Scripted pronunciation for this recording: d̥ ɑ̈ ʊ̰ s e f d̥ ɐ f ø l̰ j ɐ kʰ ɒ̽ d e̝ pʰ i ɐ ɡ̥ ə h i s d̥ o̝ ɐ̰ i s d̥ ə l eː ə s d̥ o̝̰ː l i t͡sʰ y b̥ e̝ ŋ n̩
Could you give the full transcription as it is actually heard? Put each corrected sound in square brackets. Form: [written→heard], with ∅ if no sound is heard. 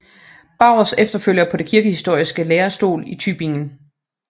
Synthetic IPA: [d̥→b̥] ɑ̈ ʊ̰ s e f d̥ ɐ f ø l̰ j ɐ [kʰ→pʰ] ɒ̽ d e̝ [pʰ→kʰ] i ɐ ɡ̥ ə h i s d̥ o̝ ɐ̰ i s [d̥→ɡ̥] ə l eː [ə→ɐ] s d̥ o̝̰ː l i t͡sʰ y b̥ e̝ ŋ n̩